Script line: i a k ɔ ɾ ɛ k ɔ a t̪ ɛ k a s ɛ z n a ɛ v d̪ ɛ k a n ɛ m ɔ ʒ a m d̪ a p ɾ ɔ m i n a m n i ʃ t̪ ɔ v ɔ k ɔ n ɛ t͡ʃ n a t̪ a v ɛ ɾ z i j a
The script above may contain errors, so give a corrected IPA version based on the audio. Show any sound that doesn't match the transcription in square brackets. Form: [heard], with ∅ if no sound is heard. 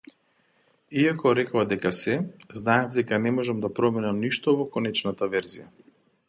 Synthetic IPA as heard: i a k ɔ ɾ ɛ k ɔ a [d̪] ɛ k a s ɛ z n a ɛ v d̪ ɛ k a n ɛ m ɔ ʒ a m d̪ a p ɾ ɔ m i n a m n i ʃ t̪ ɔ v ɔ k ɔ n ɛ t͡ʃ n a t̪ a v ɛ ɾ z i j a